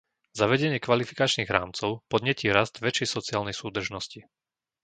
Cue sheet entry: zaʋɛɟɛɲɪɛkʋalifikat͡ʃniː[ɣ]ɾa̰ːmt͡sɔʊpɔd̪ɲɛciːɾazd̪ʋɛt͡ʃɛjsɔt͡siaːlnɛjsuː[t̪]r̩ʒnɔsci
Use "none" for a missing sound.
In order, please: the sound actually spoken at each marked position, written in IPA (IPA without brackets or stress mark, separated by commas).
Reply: ɣ, d̪